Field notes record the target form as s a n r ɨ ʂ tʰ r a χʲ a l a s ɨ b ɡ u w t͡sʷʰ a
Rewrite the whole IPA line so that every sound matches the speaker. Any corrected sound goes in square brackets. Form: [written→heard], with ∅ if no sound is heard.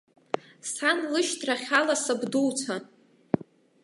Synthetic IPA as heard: s a n [r→l] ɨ [ʂ→ʃ] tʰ r a χʲ a l a s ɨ b [ɡ→d] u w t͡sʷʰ a

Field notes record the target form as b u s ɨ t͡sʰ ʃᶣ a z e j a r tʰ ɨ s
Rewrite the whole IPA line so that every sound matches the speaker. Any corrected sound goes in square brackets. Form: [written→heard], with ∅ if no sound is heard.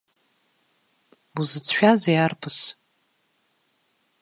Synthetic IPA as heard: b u [s→z] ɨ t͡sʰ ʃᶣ a z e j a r [tʰ→pʰ] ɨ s

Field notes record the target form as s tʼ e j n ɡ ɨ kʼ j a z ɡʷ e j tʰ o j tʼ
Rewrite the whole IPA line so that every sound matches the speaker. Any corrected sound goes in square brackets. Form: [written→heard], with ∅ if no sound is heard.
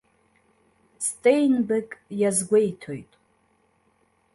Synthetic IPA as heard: s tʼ e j n [ɡ→b] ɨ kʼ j a z ɡʷ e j tʰ o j tʼ

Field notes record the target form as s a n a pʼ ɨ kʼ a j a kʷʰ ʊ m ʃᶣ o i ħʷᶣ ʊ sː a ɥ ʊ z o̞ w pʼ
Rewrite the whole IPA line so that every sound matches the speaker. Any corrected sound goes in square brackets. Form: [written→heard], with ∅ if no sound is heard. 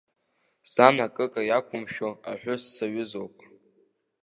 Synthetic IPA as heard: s a n a [pʼ→kʼ] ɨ kʼ a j a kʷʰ ʊ m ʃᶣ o [i→a] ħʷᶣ ʊ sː a ɥ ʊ z o̞ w pʼ

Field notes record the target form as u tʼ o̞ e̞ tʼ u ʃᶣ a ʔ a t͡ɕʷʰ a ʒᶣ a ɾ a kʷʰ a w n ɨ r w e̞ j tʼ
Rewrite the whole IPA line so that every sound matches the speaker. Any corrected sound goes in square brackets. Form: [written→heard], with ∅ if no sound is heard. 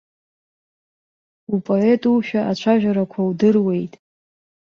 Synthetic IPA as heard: u [tʼ→pʼ] o̞ e̞ tʼ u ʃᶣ a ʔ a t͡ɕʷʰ a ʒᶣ a ɾ a kʷʰ a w [n→d] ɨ r w e̞ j tʼ

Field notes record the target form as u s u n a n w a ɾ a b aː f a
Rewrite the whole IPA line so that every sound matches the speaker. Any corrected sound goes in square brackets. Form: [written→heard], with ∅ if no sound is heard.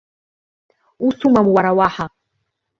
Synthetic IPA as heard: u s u [n→m] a [n→m] w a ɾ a [b→w] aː [f→ħ] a

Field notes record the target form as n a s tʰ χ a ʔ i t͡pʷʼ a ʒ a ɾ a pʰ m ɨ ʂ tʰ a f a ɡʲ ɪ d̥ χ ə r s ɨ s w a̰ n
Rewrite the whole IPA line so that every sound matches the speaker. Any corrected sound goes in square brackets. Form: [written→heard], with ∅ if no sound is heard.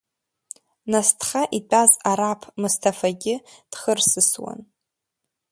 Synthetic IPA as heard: n a s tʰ χ a ʔ i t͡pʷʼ a [ʒ→z] a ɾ a pʰ m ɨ [ʂ→s] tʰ a f a ɡʲ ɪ d̥ χ ə r s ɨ s w a̰ n

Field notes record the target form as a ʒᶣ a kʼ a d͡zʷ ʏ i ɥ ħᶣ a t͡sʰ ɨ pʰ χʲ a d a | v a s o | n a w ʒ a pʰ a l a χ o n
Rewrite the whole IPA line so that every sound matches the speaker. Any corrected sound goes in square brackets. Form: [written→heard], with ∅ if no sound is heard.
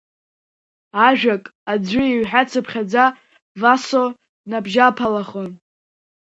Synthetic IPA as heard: a ʒᶣ a kʼ a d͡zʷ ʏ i ɥ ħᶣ a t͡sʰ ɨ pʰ χʲ a [d→d͡z] a | v a s o | n a [w→b] ʒ a pʰ a l a χ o n

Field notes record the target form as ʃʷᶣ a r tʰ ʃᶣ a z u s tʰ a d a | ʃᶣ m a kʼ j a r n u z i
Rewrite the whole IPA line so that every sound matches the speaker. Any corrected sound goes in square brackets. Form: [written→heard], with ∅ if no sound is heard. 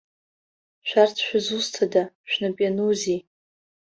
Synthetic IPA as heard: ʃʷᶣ a r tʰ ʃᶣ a z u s tʰ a d a | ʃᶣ [m→n] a [kʼ→pʼ] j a [r→∅] n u z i

